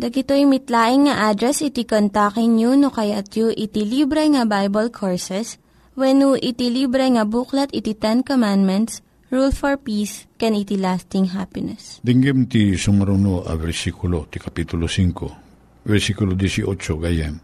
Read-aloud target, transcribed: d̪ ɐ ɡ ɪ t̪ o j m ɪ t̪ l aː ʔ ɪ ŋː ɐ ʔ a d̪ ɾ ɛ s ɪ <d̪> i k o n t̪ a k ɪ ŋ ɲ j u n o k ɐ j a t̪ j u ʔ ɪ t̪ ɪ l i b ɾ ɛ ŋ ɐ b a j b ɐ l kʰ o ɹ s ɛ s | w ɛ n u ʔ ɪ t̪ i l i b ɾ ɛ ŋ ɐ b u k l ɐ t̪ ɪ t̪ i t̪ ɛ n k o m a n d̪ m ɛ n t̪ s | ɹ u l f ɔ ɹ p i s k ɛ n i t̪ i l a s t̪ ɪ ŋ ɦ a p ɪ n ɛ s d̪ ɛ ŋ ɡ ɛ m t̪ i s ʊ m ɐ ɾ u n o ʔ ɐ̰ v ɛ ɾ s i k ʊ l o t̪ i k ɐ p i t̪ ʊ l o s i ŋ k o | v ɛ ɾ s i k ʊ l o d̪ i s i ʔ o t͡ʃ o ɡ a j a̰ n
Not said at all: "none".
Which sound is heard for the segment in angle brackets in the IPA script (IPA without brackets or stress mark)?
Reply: t̪